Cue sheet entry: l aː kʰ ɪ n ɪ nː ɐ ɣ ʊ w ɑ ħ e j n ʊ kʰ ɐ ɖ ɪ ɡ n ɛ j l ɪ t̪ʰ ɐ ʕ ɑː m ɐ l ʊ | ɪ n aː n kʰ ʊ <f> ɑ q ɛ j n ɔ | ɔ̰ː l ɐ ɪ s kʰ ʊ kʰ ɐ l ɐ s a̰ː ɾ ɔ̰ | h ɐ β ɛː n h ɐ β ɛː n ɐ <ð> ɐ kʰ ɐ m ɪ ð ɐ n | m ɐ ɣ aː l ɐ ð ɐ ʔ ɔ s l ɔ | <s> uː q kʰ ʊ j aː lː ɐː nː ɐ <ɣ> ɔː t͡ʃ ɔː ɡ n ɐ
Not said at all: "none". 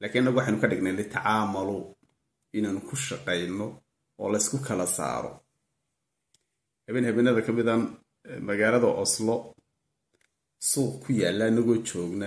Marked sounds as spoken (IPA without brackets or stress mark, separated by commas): ʃ, ð, s, ɣ